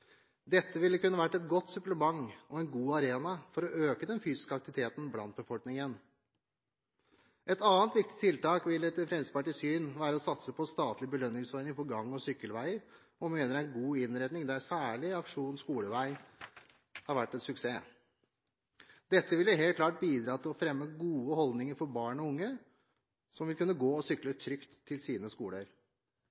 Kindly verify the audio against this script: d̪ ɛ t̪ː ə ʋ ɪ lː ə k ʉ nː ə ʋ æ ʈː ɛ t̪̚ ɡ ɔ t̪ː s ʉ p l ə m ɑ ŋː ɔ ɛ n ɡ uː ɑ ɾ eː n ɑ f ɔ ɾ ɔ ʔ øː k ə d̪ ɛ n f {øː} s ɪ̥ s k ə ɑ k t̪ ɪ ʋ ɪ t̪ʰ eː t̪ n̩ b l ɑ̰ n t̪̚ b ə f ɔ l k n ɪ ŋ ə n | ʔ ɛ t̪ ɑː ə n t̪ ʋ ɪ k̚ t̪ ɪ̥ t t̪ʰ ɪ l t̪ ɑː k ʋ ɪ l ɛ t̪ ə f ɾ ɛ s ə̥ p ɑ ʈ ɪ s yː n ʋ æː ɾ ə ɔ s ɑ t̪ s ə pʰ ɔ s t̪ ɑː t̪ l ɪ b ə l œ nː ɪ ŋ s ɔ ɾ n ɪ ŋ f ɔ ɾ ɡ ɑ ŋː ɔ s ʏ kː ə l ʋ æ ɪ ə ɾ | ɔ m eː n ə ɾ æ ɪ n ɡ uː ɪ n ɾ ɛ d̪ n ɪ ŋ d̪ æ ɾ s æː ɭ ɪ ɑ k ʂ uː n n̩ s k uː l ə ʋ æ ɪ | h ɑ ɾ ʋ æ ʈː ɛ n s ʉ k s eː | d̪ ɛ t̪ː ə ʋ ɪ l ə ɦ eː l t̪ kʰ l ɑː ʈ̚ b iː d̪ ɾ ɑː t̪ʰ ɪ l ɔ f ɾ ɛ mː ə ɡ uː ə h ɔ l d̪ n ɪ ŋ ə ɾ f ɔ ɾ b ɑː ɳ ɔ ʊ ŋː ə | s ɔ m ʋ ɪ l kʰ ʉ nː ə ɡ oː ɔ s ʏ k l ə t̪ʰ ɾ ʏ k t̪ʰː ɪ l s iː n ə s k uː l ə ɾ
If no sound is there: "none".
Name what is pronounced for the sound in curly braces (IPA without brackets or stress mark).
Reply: yː